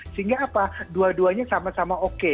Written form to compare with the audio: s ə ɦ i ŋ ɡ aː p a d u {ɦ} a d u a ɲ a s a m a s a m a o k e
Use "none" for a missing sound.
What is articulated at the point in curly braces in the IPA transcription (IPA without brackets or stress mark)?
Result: none